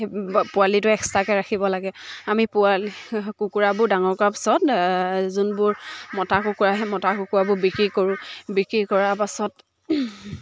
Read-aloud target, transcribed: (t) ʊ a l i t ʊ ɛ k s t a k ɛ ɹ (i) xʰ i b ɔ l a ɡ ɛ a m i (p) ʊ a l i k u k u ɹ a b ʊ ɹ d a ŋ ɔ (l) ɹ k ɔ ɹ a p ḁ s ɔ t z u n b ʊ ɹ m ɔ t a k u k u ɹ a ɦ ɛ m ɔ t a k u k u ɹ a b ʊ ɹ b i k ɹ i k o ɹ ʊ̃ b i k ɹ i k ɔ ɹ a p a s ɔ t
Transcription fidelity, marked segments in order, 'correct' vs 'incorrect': incorrect: p, incorrect: a, correct, incorrect: none

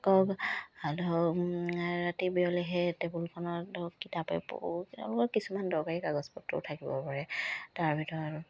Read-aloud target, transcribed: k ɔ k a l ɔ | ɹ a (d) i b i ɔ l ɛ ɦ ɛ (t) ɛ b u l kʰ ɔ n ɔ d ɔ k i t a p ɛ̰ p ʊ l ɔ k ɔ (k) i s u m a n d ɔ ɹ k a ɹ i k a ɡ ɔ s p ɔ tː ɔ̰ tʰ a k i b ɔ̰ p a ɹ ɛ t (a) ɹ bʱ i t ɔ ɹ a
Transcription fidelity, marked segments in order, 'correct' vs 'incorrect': incorrect: t, correct, correct, correct

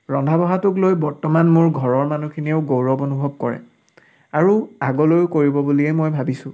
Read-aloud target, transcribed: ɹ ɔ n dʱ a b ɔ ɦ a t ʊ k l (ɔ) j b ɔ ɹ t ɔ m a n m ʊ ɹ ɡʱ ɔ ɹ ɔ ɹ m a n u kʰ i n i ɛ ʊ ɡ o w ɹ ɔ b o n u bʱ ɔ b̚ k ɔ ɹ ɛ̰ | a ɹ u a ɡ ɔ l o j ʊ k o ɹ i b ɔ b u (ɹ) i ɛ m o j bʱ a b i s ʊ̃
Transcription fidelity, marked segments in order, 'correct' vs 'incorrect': incorrect: o, incorrect: l

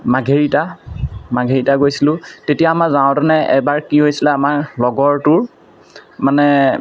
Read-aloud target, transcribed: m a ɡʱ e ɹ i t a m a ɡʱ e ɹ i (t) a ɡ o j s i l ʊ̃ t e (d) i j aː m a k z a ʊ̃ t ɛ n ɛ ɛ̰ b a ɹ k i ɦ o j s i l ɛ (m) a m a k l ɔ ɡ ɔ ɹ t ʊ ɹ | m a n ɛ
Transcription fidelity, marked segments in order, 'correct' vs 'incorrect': correct, incorrect: t, incorrect: none

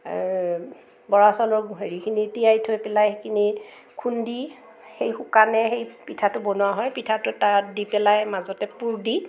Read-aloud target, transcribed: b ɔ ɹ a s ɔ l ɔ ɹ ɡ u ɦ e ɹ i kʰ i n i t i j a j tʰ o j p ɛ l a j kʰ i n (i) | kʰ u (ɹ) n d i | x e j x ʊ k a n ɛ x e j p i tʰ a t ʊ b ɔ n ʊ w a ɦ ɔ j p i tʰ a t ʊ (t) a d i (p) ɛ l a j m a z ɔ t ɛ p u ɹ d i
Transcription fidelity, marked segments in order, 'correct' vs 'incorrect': correct, incorrect: none, correct, correct

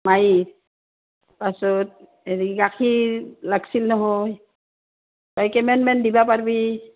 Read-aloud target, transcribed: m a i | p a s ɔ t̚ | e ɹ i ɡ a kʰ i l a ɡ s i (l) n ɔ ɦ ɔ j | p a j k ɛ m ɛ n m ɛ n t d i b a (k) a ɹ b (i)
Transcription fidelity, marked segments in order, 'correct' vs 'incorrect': correct, incorrect: p, correct

